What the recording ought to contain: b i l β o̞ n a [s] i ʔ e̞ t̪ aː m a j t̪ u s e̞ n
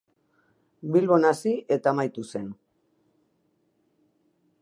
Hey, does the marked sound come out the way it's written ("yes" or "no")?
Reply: yes